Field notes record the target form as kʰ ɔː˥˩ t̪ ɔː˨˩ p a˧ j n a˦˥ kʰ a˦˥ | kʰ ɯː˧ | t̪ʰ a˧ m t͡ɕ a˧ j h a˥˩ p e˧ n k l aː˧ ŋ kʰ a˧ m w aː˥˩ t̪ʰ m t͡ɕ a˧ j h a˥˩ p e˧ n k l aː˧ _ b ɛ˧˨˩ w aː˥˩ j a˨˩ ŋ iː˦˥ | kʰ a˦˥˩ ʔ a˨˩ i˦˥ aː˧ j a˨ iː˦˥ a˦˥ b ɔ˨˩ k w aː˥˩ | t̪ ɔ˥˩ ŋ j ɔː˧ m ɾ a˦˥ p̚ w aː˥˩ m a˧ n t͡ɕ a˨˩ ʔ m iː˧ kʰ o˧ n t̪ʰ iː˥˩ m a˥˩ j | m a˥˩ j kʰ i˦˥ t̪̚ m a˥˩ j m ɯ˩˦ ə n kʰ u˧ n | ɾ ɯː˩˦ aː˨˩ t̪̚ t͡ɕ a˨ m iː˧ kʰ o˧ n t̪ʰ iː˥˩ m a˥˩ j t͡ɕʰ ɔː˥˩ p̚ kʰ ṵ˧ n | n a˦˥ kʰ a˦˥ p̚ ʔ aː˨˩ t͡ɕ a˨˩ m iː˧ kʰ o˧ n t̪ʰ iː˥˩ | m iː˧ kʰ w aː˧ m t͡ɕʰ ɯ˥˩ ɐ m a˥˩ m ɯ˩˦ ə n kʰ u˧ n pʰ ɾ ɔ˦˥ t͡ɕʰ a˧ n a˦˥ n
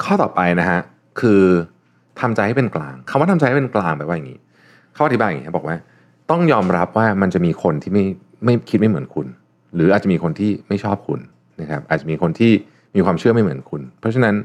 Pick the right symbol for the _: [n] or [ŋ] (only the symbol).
ŋ